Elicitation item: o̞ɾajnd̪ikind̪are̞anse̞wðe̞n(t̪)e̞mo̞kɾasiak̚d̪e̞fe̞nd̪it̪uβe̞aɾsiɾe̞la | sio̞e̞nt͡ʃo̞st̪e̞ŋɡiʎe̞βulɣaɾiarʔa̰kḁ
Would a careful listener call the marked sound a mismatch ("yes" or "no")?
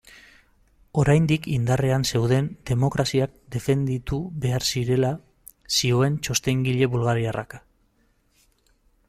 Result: yes